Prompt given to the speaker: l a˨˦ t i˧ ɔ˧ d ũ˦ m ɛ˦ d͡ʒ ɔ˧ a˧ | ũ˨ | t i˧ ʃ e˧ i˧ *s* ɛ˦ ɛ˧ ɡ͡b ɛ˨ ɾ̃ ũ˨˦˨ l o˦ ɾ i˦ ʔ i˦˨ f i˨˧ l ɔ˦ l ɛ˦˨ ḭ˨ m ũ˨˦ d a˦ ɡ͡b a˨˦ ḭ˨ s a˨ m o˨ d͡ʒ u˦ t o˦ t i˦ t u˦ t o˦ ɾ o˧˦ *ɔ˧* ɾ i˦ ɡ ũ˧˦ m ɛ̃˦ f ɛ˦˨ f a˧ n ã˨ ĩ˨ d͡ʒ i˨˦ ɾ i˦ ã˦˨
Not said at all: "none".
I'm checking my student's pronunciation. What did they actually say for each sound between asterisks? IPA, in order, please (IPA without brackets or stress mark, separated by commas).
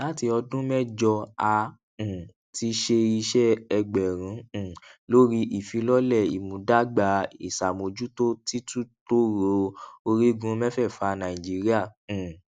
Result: ʃ, o˧